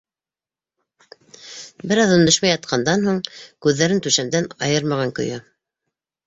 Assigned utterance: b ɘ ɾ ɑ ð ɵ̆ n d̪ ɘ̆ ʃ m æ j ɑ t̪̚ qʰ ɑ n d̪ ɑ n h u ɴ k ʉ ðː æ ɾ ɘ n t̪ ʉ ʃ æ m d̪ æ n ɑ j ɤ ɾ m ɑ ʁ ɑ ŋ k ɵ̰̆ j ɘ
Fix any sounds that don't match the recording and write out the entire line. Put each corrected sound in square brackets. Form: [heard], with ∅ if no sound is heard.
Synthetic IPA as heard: b ɘ ɾ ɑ ð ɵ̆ n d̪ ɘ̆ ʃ m æ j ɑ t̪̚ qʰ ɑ n d̪ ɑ n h u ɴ k ʉ ðː æ ɾ ɘ n t̪ ʉ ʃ æ m d̪ æ n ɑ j ɤ ɾ m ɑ ʁ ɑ ŋ k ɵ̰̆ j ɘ